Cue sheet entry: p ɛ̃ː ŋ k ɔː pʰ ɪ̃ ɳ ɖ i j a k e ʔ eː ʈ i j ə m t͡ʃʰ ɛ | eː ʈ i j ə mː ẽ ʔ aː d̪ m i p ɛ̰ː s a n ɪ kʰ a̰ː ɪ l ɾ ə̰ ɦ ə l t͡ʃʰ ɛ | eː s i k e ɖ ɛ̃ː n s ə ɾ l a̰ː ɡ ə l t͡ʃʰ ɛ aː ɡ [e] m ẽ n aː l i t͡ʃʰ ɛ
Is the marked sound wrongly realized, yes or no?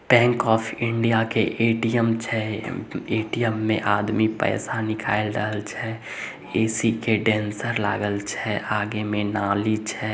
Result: no